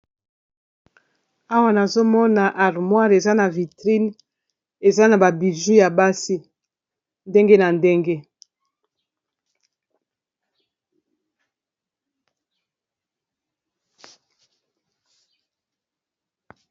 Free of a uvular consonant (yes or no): no